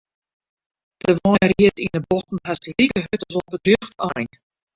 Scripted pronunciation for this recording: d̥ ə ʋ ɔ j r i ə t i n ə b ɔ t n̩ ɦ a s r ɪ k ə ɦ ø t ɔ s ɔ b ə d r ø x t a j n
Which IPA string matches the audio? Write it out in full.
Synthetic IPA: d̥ ə ʋ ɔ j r i ə t i n ə b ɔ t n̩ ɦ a s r i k ə ɦ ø t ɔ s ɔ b ə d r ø x t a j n